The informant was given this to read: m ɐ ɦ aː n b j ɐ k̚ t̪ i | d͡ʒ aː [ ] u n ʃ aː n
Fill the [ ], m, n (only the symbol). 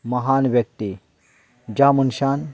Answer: m